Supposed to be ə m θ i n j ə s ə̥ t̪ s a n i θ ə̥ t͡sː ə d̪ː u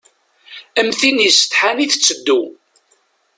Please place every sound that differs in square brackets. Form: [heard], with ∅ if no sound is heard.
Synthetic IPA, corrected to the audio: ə m θ i n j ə s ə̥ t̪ [ħ] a n i θ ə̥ t͡sː ə d̪ː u